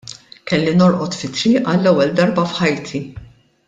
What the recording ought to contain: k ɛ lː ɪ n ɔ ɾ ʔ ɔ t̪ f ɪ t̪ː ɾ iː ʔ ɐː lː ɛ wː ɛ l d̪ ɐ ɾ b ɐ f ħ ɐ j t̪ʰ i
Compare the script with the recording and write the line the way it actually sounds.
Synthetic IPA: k ɛ lː i n ɔ ɾ ʔ ɔ t̪ f ɪ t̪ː ɾ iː ʔ ɐ lː ɛ wː ɛ l d̪ ɐ ɾ b ɐ f ħ ɐ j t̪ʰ i

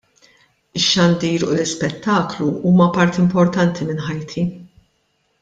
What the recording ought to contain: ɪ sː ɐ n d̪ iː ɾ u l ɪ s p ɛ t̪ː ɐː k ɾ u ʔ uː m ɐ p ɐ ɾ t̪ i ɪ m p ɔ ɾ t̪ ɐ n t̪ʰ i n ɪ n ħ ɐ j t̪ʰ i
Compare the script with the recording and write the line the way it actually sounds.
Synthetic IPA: ɪ ʃː ɐ n d̪ iː ɾ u l ɪ s p ɛ t̪ː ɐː k l u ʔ uː m ɐ p ɐ ɾ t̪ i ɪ m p ɔ ɾ t̪ ɐ n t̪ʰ i m ɪ n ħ ɐ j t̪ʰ i

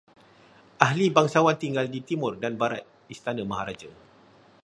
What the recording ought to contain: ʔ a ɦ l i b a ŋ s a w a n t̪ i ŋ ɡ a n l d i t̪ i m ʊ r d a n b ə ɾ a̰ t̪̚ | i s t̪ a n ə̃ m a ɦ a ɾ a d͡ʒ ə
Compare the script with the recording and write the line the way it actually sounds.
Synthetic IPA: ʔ a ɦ l i b a ŋ s a w a n t̪ i ŋ ɡ a l d i t̪ i m ʊ r d a n b a ɾ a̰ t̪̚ | i s t̪ a n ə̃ m a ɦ a ɾ a d͡ʒ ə

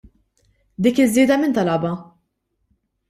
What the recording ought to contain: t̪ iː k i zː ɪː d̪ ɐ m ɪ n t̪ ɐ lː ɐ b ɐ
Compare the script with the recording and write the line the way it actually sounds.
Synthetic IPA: d̪ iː k ɪ zː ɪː d̪ ɐ m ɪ n t̪ ɐ l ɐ b ɐ

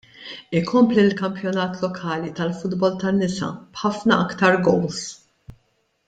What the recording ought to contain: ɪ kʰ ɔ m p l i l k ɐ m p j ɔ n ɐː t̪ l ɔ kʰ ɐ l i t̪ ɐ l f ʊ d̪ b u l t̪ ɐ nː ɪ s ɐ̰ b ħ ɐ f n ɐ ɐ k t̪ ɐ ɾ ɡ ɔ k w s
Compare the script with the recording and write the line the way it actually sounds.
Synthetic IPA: ɪ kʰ ɔ m p l i l k ɐ m p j ɔ n ɐː t̪ l ɔ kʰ ɐː l i t̪ ɐ l f ʊ d̪ b ɔ l t̪ ɐ nː ɪ s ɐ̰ b ħ ɐ f n ɐ ɐ k t̪ ɐ ɾ ɡ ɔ w s

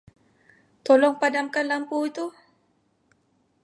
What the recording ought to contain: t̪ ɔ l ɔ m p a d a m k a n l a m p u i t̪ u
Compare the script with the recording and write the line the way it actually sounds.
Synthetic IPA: t̪ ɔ l ɔ ŋ p a d a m k a n l a m p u i t̪ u

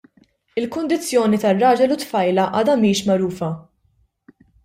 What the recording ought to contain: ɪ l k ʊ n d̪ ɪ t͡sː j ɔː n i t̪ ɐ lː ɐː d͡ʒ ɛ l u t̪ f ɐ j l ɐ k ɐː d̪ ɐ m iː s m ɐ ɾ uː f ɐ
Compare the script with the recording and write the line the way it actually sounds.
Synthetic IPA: ɪ l k ʊ n d̪ ɪ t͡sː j ɔː n i t̪ ɐ rː ɐː d͡ʒ ɛ l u t̪ f ɐ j l ɐ ʔ ɐː d̪ ɐ m iː ʃ m ɐ ɾ uː f ɐ

